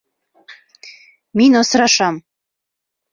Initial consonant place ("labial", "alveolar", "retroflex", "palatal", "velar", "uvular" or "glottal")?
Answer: labial